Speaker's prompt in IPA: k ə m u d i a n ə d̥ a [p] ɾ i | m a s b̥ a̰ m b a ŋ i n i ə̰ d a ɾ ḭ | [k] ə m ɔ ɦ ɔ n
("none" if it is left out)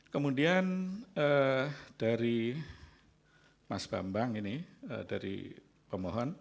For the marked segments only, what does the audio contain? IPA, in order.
none, p

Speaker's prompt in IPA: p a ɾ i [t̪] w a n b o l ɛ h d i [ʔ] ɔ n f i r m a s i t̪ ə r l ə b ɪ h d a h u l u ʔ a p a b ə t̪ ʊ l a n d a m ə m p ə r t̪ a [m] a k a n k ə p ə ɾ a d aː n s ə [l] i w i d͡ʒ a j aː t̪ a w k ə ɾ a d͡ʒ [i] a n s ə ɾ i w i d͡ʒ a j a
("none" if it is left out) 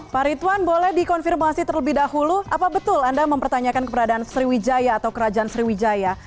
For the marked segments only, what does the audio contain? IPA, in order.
t̪, k, ɲ, ɾ, a

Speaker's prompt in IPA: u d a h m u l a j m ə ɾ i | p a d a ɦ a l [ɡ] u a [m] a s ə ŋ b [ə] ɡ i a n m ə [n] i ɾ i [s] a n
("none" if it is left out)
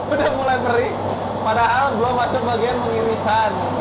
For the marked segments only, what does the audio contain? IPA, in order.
d, m, a, ŋ, s

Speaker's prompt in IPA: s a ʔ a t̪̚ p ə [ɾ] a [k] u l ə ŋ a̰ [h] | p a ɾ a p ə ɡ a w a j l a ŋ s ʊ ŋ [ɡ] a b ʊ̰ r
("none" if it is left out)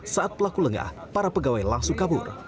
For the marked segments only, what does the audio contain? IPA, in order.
l, k, h, k

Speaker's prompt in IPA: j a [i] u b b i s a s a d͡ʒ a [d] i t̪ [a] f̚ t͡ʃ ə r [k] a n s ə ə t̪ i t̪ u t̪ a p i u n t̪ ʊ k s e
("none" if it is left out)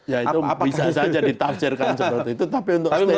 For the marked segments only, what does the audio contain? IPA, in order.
i, d, a, k

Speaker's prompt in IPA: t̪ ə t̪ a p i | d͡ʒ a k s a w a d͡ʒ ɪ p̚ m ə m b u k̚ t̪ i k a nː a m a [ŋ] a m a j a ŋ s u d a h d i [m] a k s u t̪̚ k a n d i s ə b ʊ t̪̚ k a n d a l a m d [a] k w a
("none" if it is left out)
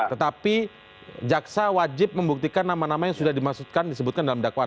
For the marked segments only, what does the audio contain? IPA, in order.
n, m, a

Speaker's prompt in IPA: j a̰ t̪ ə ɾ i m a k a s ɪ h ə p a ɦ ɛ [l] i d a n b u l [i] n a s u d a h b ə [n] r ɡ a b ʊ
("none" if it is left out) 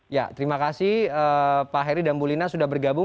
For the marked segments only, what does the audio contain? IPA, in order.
ɾ, i, none

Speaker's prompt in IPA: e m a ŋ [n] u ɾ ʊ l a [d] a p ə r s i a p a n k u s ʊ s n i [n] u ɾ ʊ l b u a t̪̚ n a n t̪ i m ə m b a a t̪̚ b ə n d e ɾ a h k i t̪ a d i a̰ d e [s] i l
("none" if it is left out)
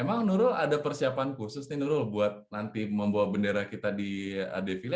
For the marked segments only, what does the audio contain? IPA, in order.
n, d, n, f

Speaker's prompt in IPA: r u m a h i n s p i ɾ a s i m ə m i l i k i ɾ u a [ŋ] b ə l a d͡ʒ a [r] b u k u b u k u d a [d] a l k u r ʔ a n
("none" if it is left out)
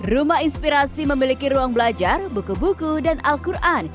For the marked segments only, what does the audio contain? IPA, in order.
ŋ, r, n

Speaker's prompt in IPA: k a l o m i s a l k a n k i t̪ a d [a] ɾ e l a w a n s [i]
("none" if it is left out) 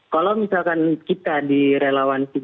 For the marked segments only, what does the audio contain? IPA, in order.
i, i

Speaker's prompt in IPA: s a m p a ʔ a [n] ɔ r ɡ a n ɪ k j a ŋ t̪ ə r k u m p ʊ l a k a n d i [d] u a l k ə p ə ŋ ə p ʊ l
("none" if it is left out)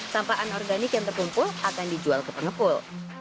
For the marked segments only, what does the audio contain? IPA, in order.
n, d͡ʒ

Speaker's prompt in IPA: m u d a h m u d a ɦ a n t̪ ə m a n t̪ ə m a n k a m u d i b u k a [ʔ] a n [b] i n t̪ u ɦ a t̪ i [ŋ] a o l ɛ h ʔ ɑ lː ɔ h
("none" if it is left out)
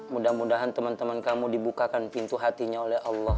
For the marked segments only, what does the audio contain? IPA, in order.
k, p, ɲ

